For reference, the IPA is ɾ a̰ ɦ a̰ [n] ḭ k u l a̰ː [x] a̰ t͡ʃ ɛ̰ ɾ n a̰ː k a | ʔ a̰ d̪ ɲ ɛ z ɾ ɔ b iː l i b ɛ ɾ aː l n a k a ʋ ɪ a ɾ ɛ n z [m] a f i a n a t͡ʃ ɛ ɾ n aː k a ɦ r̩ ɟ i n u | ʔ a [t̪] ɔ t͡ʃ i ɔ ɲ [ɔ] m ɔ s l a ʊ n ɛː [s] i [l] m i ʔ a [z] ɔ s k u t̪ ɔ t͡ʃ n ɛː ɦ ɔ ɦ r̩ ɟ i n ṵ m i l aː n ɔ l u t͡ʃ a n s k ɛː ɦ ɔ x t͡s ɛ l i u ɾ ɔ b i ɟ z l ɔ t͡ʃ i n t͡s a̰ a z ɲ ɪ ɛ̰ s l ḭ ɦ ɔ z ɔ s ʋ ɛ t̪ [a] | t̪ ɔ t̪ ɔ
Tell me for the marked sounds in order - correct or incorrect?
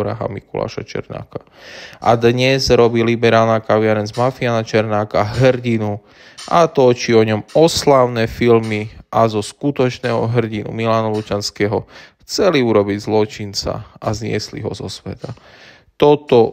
incorrect: m, incorrect: ʃ, correct, correct, correct, incorrect: f, correct, correct, correct

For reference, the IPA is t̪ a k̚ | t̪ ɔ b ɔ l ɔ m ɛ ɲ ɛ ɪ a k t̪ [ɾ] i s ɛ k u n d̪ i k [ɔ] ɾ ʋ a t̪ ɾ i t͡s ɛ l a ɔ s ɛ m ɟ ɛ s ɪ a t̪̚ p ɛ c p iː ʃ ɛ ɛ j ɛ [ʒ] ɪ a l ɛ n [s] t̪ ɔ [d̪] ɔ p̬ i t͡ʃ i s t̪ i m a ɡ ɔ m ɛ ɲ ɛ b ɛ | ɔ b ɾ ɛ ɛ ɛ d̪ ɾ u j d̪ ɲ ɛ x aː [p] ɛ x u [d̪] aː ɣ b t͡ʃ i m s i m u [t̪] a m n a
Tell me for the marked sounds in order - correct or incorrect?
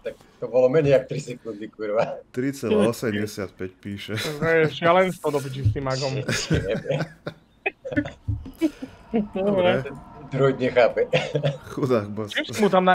correct, incorrect: u, incorrect: ʃ, correct, correct, correct, correct, correct

